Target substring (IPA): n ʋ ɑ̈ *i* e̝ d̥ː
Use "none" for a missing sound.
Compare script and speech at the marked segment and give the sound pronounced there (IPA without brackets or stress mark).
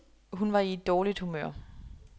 i